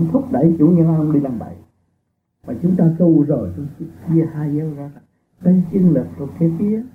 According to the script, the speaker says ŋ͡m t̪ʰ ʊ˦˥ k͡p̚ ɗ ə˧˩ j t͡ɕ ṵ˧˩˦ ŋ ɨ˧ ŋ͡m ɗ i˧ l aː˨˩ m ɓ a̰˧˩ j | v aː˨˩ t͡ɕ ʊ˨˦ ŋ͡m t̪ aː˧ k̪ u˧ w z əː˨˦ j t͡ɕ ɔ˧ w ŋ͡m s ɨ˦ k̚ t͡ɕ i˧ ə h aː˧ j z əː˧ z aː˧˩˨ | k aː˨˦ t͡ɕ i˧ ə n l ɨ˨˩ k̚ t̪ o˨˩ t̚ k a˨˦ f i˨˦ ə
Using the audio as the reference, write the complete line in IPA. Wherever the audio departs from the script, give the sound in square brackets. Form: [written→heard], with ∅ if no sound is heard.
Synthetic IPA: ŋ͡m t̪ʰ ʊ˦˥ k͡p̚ ɗ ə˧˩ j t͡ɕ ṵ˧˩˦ [ŋ→ɲ] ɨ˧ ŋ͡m ɗ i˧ l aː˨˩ m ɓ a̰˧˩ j | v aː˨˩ t͡ɕ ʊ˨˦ ŋ͡m t̪ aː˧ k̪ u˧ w z [əː˨˦→əː˧˩] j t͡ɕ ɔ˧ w ŋ͡m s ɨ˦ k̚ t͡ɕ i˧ ə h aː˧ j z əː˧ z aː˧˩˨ | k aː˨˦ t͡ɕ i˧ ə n l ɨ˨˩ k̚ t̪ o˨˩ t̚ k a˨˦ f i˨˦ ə